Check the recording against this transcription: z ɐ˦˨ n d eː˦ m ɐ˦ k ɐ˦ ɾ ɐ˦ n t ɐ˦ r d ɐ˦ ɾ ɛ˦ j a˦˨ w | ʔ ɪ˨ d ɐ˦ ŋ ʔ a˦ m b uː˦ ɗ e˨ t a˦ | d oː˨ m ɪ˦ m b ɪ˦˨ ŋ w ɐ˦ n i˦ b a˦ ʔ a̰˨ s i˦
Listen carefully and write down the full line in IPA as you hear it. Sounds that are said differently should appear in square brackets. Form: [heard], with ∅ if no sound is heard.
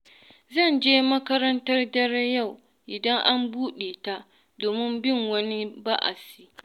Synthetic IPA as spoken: z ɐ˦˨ n [d͡ʒ] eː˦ m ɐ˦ k ɐ˦ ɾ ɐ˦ n t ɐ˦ r d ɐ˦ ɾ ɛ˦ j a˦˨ w | ʔ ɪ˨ d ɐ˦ ŋ ʔ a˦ m b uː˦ ɗ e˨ t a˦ | d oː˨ m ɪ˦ m b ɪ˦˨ ŋ w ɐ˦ n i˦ b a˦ ʔ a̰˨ s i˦